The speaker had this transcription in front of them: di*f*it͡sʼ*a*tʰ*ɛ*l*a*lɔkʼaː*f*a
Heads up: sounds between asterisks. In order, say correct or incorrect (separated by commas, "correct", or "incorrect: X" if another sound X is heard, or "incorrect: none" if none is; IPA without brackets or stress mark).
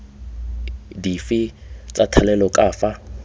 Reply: correct, correct, incorrect: a, incorrect: ɛ, correct